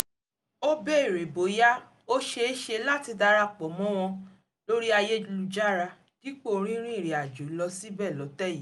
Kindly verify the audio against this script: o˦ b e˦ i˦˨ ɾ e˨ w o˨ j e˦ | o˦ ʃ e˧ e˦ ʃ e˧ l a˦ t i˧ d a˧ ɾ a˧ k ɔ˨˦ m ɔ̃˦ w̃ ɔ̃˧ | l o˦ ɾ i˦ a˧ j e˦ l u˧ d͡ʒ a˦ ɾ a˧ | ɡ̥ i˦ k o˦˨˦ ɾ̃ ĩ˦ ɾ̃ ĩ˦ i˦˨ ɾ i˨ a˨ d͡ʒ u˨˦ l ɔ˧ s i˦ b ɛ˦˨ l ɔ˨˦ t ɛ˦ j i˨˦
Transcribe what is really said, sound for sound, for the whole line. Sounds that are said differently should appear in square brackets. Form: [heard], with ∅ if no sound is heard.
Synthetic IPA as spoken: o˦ b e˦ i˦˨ ɾ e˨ [b] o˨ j [a˦] | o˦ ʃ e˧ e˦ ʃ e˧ l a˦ t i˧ d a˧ ɾ a˧ [k͡p] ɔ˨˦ m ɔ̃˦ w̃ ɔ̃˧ | l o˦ ɾ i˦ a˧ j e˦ l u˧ d͡ʒ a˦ ɾ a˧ | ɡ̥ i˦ [k͡p] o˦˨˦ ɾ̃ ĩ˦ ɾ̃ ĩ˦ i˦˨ ɾ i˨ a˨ d͡ʒ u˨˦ l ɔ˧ s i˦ b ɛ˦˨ l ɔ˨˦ t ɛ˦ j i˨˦